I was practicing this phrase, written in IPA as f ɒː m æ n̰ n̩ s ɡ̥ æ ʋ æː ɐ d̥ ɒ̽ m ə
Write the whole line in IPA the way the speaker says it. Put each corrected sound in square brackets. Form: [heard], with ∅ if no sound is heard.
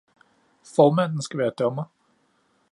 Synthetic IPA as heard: f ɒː m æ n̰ n̩ s ɡ̥ æ ʋ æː ɐ d̥ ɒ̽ m [ɐ]